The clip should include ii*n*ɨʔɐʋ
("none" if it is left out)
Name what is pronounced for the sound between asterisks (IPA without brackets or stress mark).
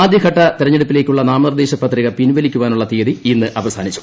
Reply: nː